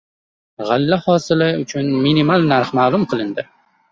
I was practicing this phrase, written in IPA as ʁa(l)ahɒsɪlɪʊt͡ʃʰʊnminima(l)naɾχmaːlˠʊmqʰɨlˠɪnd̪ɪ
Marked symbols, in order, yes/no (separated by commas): no, yes